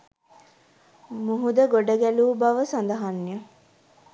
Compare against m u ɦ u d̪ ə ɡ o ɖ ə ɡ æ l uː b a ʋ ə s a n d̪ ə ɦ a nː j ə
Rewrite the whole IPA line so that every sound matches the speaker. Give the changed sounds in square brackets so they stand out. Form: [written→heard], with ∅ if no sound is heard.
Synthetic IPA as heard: m u ɦ u d̪ ə ɡ o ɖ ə ɡ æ l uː b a ʋ ə s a n d̪ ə ɦ a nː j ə